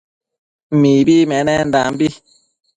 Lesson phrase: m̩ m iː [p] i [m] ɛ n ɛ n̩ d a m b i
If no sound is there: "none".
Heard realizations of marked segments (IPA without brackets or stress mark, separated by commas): b, m